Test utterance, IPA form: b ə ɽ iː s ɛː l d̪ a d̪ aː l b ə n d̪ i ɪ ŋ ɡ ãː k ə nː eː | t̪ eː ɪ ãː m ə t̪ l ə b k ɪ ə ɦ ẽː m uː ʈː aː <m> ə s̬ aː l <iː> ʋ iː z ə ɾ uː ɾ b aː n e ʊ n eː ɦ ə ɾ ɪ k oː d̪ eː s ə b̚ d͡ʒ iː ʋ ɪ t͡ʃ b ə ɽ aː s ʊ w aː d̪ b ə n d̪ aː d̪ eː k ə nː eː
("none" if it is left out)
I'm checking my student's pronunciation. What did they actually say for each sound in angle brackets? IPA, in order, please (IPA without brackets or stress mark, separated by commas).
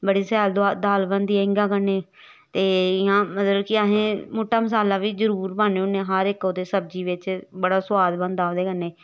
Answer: m, aː